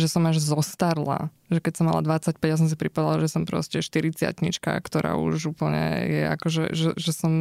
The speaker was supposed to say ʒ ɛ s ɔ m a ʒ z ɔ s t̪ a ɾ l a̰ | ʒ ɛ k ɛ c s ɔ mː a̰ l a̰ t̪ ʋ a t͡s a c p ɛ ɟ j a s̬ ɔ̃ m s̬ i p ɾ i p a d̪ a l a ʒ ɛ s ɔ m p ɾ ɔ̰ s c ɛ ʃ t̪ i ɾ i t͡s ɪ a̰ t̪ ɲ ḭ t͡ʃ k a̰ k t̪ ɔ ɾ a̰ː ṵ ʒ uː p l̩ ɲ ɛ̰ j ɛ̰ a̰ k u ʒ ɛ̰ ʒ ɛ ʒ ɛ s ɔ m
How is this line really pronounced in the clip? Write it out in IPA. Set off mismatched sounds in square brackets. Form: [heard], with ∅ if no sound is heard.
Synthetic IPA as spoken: ʒ ɛ s ɔ m a ʒ z ɔ s t̪ a ɾ l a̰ | ʒ ɛ k ɛ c s ɔ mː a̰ l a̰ [d̪] ʋ a t͡s a c p ɛ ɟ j a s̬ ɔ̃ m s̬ i p ɾ i p a d̪ a l a ʒ ɛ s ɔ m p ɾ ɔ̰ s c ɛ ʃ t̪ i ɾ i t͡s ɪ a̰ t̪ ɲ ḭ t͡ʃ k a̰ k t̪ ɔ ɾ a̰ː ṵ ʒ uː p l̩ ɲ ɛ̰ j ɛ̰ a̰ k [ɔ] ʒ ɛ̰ ʒ ɛ ʒ ɛ s ɔ m